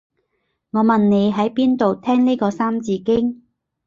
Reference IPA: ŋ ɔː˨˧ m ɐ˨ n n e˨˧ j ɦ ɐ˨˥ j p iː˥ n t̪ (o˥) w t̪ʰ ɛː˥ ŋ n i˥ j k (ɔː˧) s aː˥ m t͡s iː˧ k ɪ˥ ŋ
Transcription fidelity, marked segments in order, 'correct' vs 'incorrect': incorrect: o˨, correct

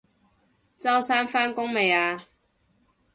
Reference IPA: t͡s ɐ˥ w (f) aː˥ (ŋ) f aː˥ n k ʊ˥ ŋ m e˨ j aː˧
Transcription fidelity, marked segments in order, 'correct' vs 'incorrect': incorrect: s, incorrect: n

